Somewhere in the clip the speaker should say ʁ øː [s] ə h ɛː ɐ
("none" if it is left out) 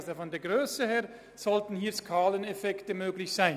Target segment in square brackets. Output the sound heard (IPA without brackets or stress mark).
s